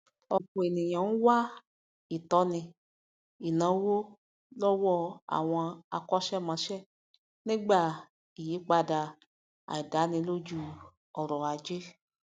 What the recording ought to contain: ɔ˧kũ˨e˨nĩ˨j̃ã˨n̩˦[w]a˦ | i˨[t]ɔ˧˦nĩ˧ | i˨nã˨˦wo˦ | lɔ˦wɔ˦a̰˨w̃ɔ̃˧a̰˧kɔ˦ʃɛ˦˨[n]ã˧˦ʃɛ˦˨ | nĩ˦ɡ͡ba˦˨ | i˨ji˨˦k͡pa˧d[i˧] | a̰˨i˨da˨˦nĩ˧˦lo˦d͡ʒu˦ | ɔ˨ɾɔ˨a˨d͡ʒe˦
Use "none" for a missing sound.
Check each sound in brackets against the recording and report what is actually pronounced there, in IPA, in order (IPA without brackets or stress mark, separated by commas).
w, t, m, a˧